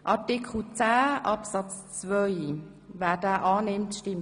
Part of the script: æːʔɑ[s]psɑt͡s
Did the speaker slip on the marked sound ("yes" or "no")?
yes